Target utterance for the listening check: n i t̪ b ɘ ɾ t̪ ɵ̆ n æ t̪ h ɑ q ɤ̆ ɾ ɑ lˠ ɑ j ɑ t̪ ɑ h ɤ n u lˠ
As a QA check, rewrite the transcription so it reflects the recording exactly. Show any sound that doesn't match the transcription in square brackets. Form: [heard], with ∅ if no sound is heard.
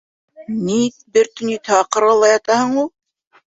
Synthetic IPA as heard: n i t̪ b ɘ ɾ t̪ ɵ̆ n [i] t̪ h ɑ q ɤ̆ ɾ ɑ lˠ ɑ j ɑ t̪ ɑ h ɤ [ɴ] u lˠ